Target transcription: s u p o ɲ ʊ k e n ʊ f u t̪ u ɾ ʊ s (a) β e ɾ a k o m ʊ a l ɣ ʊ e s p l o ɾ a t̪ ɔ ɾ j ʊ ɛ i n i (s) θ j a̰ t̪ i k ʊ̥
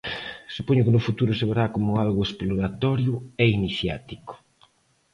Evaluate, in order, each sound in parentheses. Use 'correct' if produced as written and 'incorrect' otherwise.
incorrect: e, incorrect: none

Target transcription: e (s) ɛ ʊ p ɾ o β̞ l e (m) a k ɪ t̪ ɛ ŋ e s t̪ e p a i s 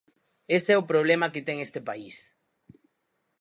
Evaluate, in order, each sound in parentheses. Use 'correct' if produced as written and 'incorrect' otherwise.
correct, correct

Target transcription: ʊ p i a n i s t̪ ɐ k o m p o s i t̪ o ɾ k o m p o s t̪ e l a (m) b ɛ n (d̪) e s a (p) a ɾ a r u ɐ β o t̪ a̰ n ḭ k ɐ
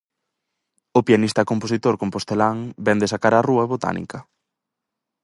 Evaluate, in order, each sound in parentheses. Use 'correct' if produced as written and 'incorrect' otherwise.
incorrect: ŋ, correct, incorrect: k

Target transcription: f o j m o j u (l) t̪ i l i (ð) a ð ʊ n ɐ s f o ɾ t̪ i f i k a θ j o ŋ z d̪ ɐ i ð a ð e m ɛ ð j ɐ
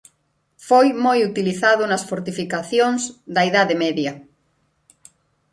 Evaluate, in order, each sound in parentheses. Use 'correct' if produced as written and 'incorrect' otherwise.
incorrect: none, incorrect: θ

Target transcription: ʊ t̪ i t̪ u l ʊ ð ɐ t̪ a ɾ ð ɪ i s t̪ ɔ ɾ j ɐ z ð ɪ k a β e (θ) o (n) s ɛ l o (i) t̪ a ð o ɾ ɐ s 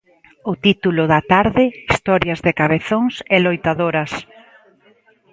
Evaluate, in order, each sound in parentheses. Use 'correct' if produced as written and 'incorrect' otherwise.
correct, incorrect: ŋ, incorrect: j

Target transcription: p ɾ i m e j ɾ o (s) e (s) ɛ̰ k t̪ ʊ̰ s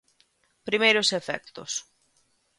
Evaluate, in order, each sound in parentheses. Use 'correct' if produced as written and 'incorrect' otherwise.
correct, incorrect: f

